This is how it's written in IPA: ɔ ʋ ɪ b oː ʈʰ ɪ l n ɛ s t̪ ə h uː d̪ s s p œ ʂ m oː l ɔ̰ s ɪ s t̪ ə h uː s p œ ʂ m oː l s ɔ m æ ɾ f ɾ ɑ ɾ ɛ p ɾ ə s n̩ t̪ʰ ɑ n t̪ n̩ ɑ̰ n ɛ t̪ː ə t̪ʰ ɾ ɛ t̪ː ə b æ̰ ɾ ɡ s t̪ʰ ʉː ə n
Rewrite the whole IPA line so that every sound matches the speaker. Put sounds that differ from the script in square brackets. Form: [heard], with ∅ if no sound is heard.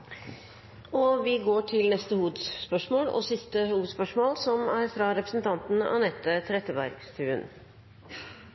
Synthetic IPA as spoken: ɔ ʋ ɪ [ɡ] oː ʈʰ ɪ l n ɛ s t̪ ə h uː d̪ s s p œ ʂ m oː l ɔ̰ s ɪ s t̪ ə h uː s p œ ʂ m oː l s ɔ m æ ɾ f ɾ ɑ ɾ ɛ p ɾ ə s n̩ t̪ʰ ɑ n t̪ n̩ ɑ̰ n ɛ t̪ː ə t̪ʰ ɾ ɛ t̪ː ə b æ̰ ɾ ɡ s t̪ʰ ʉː ə n

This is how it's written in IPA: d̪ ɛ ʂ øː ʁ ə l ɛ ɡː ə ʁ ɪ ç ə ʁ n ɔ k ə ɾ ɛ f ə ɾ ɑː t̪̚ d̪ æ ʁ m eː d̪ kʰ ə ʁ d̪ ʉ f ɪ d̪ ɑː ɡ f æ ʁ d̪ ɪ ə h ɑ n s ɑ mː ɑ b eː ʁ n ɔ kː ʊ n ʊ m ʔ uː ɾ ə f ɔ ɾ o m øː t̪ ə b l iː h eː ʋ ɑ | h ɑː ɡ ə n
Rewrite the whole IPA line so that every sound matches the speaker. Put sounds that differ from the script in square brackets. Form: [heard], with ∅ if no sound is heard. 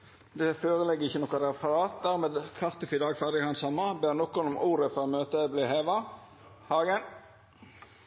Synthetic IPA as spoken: d̪ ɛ [f] øː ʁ ə l ɛ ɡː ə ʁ ɪ ç ə [∅] n ɔ k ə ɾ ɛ f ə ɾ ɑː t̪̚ d̪ æ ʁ m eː d̪ kʰ [ɑ] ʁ [t̪] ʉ f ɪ d̪ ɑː ɡ f æ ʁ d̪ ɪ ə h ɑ n s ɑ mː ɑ b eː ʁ n ɔ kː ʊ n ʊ m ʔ uː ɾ ə f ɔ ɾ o m øː t̪ ə b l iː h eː ʋ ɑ | h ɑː ɡ ə n

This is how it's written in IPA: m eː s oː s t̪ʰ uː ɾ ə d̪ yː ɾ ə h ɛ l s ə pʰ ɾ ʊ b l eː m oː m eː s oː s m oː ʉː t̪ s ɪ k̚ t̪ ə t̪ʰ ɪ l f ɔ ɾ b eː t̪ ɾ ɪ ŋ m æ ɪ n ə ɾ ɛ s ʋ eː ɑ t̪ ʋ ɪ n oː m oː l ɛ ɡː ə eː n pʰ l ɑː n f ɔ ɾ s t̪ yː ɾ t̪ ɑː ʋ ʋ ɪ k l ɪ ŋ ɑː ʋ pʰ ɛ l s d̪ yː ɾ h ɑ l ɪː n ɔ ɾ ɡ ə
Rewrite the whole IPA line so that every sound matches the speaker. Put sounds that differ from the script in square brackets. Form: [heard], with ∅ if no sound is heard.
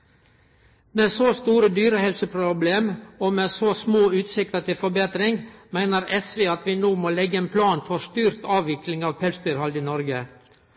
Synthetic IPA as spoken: m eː s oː s [t̪] uː ɾ ə d̪ yː ɾ ə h ɛ l s ə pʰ ɾ ʊ b l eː m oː m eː s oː s m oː ʉː t̪ s ɪ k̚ t̪ ə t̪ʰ ɪ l f ɔ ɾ b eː t̪ ɾ ɪ ŋ m æ ɪ n ə ɾ ɛ s ʋ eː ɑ t̪ ʋ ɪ n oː m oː l ɛ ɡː ə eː n pʰ l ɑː n f ɔ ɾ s t̪ yː ɾ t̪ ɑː ʋ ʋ ɪ k l ɪ ŋ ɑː ʋ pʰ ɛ l s d̪ yː ɾ h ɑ l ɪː n ɔ ɾ ɡ ə

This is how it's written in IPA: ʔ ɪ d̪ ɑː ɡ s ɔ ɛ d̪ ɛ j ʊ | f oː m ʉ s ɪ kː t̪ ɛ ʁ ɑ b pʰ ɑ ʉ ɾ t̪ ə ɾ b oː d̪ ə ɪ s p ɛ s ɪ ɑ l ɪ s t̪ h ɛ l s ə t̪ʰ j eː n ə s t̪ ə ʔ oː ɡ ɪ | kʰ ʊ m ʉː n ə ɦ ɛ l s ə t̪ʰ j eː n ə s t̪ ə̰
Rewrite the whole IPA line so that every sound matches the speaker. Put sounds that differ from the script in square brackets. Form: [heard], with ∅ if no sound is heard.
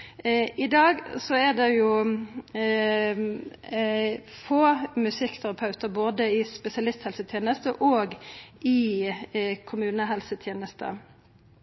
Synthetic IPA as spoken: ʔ ɪ d̪ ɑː ɡ s ɔ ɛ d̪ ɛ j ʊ | f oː m ʉ s ɪ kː [t̪ʰ] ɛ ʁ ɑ [∅] pʰ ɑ ʉ [∅] t̪ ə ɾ b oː d̪ ə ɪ s p ɛ s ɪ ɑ l ɪ s t̪ h ɛ l s ə t̪ʰ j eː n ə s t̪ ə ʔ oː ɡ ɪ | kʰ ʊ m ʉː n ə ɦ ɛ l s ə t̪ʰ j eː n ə s t̪ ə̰

